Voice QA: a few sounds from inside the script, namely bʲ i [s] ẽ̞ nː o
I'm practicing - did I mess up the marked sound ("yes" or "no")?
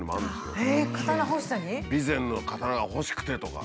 yes